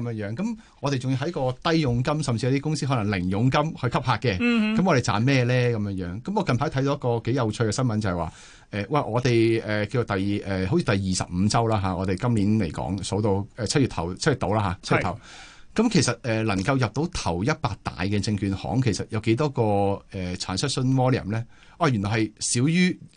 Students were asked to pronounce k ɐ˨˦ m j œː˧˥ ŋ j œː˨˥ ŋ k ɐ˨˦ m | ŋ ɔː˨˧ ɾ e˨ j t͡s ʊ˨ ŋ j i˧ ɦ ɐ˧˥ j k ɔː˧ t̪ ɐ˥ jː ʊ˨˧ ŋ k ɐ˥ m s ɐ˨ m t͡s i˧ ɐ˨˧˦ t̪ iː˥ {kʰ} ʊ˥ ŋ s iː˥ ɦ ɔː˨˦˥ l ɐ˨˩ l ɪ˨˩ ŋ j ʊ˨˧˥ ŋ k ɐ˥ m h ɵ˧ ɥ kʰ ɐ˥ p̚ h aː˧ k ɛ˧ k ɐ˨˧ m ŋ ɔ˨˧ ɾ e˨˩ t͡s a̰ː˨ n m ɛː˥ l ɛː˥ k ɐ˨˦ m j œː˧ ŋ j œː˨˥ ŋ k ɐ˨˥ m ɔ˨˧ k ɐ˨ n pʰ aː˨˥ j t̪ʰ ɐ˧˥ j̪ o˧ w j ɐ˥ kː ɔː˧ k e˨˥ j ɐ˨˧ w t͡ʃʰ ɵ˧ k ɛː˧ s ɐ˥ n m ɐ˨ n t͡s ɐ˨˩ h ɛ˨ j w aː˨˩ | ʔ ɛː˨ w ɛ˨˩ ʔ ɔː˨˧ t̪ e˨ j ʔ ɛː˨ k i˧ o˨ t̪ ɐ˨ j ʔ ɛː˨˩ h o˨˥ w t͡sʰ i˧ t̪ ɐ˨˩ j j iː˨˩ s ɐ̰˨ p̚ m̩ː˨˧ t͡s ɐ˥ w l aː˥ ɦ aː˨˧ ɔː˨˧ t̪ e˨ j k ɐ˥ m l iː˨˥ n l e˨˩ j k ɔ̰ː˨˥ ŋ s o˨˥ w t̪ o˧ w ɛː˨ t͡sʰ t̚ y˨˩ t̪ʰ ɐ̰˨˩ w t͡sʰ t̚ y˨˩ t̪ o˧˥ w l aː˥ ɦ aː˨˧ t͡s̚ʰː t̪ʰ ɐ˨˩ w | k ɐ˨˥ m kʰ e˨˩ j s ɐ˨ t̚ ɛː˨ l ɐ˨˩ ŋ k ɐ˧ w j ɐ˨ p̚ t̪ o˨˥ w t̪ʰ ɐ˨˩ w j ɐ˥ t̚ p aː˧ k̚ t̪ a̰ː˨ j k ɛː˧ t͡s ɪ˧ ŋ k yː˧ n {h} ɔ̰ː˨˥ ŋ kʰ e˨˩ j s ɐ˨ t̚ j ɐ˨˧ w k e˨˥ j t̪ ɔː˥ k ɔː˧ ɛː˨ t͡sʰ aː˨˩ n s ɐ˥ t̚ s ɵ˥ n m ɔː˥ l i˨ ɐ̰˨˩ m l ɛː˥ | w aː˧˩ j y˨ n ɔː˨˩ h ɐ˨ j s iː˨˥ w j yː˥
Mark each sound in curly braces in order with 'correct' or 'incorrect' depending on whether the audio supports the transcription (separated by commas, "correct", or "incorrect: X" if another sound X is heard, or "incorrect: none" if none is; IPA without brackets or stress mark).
incorrect: k, correct